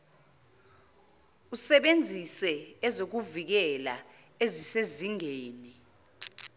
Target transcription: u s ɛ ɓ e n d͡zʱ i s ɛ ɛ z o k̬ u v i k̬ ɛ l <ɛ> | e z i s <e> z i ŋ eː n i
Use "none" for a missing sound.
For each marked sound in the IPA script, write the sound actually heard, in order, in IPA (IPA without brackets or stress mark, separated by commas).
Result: a, e